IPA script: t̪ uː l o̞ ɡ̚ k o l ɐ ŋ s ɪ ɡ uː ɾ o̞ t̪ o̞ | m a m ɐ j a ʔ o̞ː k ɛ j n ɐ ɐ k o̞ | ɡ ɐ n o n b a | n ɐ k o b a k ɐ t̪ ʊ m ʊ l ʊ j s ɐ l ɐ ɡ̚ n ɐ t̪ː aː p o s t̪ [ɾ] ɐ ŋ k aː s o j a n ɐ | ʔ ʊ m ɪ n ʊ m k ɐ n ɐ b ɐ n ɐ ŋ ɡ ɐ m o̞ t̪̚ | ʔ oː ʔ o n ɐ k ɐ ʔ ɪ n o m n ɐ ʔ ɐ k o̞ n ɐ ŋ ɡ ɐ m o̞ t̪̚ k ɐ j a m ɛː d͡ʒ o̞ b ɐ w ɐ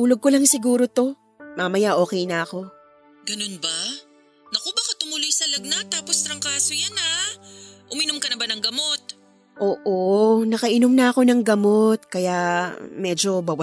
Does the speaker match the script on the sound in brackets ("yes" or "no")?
yes